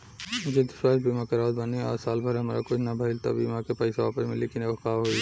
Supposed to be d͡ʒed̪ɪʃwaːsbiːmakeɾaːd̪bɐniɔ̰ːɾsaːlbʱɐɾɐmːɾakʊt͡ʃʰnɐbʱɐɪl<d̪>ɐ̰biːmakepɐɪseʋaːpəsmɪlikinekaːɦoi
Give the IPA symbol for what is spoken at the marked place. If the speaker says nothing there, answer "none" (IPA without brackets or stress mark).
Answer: t̪